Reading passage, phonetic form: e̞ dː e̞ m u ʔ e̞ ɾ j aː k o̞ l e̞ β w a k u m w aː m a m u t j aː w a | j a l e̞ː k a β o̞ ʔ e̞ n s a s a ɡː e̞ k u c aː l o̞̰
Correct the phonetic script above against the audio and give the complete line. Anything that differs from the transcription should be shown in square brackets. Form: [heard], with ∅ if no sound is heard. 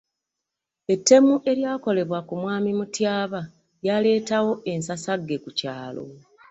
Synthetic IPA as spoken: e̞ [tː] e̞ m u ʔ e̞ ɾ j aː k o̞ l e̞ β w a k u m w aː m [i] m u t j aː [β] a | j a l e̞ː [t] a [w] o̞ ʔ e̞ n s a s a ɡː e̞ k u c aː l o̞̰